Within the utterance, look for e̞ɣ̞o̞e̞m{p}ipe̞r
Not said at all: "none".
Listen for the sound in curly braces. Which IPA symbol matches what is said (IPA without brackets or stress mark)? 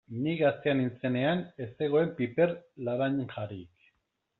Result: p